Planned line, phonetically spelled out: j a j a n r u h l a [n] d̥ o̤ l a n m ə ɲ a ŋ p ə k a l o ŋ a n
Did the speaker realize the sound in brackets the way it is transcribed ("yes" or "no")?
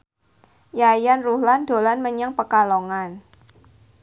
yes